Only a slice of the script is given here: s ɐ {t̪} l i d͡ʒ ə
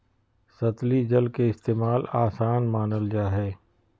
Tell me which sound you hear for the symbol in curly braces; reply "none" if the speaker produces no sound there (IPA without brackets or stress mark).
t̪